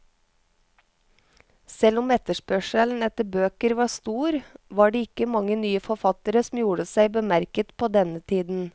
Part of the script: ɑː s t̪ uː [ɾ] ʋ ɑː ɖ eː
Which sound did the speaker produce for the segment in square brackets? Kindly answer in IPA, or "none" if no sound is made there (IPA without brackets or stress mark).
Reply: ɾ